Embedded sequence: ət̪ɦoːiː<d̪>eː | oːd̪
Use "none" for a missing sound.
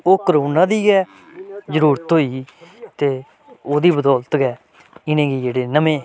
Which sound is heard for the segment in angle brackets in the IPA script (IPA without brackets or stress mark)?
t̪